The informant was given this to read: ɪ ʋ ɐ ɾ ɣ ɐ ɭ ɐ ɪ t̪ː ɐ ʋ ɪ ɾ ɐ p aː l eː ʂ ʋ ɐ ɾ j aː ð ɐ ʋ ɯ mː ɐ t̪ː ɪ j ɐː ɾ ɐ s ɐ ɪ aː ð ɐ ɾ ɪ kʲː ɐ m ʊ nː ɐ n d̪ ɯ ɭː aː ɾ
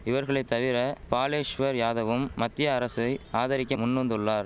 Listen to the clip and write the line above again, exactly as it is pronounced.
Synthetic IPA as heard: ɪ ʋ ɐ ɾ ɣ ɐ ɭ ɐ ɪ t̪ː ɐ ʋ ɪ ɾ ɐ p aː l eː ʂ ʋ ɐ ɾ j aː ð ɐ ʋ ɯ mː ɐ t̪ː ɪ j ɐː ɾ ɐ s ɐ ɪ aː ð ɐ ɾ ɪ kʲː ɐ m ʊ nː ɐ n d̪ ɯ ɭː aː ɾ